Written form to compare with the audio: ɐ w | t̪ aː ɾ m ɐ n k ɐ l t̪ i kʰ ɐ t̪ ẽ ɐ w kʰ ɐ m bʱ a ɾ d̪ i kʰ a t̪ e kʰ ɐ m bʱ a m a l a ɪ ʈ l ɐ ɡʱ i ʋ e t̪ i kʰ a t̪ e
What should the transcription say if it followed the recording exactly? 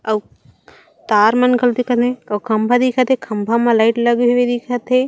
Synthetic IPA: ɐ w | t̪ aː ɾ m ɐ n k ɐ l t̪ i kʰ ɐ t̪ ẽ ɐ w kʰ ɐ m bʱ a d̪ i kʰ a t̪ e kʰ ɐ m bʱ a m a l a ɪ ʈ l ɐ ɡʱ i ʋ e d̪ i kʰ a t̪ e